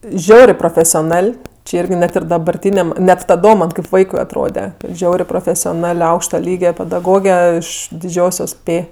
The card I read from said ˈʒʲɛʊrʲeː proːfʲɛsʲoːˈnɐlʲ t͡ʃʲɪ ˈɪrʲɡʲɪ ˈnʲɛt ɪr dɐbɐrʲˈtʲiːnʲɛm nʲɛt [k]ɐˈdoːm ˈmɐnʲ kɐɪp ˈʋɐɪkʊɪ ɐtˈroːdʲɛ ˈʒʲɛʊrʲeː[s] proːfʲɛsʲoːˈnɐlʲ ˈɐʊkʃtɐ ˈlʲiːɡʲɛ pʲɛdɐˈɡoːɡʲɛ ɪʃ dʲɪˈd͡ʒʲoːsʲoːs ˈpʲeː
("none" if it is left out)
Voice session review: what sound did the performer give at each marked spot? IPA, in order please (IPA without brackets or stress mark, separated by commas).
t, none